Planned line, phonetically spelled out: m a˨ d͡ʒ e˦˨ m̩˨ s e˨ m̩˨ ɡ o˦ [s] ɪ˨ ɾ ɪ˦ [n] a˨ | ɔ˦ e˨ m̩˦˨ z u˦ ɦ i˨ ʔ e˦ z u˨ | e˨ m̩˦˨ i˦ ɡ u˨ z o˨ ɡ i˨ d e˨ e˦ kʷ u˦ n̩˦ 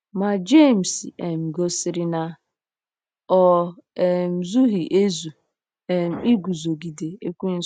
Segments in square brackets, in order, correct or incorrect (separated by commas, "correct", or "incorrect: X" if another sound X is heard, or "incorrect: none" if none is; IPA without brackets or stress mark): correct, correct